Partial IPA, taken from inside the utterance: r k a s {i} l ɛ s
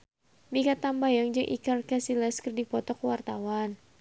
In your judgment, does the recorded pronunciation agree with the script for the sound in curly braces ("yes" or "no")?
yes